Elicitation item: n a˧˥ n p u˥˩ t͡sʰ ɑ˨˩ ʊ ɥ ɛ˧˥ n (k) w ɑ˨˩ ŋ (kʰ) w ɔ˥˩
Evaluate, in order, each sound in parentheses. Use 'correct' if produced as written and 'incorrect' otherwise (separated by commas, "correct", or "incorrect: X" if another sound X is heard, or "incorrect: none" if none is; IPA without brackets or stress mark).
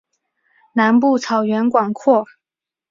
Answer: correct, correct